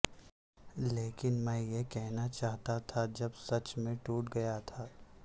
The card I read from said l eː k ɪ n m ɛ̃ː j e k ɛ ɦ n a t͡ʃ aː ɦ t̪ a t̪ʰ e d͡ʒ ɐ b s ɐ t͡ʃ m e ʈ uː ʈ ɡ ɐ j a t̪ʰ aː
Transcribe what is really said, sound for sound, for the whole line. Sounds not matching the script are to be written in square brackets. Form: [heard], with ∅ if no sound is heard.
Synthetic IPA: l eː k ɪ n m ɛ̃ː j e k ɛ ɦ n a t͡ʃ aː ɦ t̪ a t̪ʰ [a] d͡ʒ ɐ b s ɐ t͡ʃ m [ẽ] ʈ uː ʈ ɡ ɐ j a t̪ʰ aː